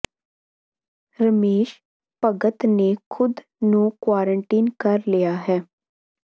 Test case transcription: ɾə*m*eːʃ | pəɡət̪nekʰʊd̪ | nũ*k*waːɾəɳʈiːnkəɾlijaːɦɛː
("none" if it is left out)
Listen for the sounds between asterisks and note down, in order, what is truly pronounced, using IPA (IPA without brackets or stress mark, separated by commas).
m, k